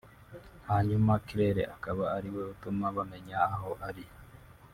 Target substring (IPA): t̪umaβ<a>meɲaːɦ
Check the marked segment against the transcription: correct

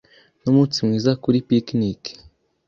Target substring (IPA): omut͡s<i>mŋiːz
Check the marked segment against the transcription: correct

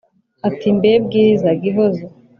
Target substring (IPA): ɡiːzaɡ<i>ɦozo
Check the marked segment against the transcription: correct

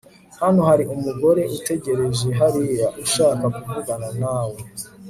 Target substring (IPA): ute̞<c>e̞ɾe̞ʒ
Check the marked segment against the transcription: incorrect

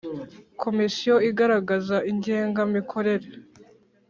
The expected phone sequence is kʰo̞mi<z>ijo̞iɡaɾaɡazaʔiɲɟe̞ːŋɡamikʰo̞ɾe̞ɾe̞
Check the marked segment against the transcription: incorrect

